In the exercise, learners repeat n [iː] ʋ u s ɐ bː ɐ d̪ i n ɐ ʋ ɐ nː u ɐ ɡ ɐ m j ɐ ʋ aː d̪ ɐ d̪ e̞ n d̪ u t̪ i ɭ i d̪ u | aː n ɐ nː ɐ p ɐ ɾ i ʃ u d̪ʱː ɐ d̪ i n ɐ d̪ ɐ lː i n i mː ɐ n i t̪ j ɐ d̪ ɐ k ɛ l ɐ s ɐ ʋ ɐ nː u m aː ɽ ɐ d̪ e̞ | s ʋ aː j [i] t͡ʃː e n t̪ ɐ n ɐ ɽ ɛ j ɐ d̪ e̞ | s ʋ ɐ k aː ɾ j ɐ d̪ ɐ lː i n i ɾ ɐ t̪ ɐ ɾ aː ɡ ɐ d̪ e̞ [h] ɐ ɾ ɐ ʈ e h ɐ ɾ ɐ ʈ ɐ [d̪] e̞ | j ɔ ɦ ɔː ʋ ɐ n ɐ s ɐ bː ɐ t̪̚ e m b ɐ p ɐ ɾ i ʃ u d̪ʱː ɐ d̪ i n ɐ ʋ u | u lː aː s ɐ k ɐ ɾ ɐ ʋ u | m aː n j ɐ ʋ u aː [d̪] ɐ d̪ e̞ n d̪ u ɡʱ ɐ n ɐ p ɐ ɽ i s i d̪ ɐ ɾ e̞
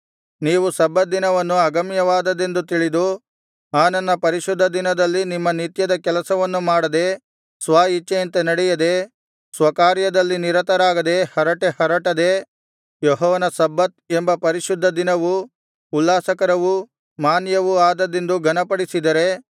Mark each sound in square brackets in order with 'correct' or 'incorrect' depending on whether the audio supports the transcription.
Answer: correct, correct, correct, correct, correct

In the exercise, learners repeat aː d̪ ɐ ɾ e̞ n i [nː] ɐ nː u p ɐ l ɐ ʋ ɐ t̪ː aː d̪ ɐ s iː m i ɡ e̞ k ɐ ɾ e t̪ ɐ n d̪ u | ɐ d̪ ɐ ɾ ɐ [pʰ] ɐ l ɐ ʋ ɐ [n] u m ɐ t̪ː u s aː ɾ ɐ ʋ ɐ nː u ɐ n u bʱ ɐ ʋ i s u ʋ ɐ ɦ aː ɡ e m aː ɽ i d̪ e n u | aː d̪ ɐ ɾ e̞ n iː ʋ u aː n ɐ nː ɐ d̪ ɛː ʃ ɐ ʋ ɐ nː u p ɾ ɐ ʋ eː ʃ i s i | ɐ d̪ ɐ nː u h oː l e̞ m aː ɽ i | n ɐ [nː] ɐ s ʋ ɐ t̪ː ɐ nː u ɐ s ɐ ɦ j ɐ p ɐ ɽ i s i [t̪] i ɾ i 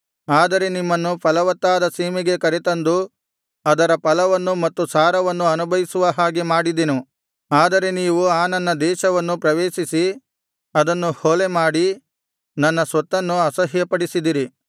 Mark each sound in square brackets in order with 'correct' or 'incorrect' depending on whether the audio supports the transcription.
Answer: incorrect: mː, incorrect: p, incorrect: nː, correct, incorrect: d̪

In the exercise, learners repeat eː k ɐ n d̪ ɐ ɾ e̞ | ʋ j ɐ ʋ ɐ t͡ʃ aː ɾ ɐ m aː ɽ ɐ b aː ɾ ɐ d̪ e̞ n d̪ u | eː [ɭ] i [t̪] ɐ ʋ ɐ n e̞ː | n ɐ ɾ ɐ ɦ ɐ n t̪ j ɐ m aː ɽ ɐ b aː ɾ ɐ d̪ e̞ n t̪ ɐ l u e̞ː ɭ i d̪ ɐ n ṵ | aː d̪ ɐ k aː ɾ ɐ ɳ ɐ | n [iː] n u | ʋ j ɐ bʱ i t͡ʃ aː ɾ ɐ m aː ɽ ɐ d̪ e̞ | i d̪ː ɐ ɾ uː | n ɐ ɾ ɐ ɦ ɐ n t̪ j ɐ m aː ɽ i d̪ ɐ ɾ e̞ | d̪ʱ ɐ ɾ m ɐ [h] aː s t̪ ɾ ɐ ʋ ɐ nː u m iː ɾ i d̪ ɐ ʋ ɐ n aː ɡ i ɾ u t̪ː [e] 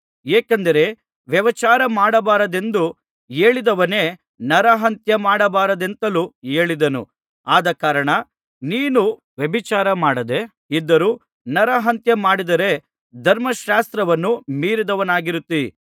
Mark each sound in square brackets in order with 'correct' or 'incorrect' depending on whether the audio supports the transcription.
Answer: correct, incorrect: d̪, correct, incorrect: ʃ, incorrect: i

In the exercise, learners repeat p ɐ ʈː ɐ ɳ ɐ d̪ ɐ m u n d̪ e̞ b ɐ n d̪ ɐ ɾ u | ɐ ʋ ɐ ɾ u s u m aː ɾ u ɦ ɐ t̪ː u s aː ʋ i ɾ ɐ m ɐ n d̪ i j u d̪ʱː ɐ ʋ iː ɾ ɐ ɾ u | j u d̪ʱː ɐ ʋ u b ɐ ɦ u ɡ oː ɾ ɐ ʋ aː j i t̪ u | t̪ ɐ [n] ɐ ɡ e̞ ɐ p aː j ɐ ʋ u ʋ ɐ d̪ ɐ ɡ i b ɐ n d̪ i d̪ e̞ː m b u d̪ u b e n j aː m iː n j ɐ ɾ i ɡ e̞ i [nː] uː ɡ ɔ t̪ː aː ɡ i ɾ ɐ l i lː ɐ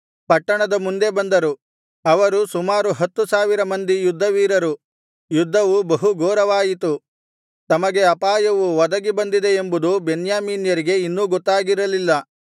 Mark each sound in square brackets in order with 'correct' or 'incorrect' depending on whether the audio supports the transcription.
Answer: incorrect: m, correct

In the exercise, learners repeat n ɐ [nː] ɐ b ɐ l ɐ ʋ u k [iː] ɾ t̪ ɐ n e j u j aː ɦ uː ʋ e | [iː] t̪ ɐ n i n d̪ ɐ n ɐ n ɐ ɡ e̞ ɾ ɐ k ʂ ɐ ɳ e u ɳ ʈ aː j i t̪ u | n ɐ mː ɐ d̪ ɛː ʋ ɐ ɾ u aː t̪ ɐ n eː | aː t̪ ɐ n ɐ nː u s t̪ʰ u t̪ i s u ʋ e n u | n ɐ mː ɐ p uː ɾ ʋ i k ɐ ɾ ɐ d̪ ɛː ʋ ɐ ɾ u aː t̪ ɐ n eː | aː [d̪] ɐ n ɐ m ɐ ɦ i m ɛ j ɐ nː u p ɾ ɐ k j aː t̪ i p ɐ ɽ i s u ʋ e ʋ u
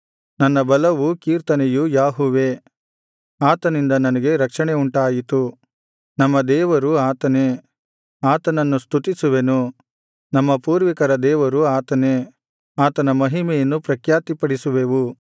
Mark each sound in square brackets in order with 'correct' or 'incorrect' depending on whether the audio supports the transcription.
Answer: correct, correct, incorrect: aː, incorrect: t̪

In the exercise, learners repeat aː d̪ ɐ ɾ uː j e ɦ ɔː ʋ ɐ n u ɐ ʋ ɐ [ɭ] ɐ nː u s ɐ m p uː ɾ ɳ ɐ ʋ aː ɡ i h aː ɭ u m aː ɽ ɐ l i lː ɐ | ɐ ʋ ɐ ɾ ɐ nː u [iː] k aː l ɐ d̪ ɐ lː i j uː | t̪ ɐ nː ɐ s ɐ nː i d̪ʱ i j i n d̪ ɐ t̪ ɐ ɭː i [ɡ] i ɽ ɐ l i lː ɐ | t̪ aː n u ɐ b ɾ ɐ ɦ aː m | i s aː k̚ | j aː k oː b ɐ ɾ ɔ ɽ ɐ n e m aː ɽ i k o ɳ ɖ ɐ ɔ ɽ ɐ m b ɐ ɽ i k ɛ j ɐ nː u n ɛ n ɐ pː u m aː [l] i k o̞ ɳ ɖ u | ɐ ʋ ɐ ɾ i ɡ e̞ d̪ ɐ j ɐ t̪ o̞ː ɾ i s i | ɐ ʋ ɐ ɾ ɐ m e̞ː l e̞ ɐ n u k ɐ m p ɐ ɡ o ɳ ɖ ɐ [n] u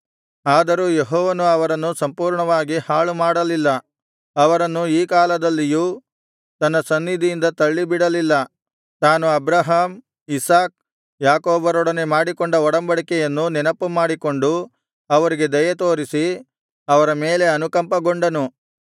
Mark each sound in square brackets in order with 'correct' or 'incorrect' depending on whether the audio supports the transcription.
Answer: incorrect: ɾ, correct, incorrect: b, incorrect: ɽ, correct

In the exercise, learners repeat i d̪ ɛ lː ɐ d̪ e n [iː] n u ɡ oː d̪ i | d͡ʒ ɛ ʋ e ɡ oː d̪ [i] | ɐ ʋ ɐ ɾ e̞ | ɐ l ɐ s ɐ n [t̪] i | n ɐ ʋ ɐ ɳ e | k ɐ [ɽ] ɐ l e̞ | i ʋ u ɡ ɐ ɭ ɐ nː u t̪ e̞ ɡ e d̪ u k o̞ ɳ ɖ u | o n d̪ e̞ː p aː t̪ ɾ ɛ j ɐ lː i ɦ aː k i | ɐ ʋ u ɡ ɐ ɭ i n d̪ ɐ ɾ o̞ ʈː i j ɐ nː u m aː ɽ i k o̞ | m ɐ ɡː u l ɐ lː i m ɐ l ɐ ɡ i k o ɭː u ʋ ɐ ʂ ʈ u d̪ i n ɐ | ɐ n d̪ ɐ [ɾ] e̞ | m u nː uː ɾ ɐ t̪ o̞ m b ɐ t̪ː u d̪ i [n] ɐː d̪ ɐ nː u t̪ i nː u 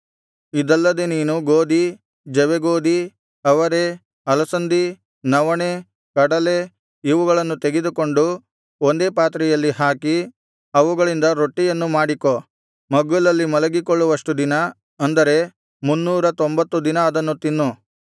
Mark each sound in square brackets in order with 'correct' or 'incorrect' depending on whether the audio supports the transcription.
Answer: correct, correct, incorrect: d̪, correct, correct, correct

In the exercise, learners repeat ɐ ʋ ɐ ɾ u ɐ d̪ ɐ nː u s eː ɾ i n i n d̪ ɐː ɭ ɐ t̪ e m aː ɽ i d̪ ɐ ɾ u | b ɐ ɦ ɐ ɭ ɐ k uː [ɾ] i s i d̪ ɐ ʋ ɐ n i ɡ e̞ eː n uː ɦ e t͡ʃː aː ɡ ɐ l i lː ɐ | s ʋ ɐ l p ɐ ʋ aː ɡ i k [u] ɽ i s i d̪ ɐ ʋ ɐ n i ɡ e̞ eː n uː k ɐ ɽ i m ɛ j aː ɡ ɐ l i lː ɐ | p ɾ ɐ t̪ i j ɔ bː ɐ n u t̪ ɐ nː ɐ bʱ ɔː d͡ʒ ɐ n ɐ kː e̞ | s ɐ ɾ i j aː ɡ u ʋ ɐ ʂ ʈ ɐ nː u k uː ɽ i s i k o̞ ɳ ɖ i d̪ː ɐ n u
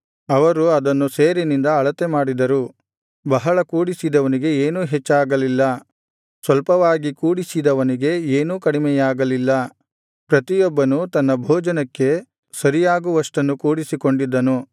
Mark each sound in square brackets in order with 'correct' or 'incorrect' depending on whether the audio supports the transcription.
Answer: incorrect: ɽ, incorrect: uː

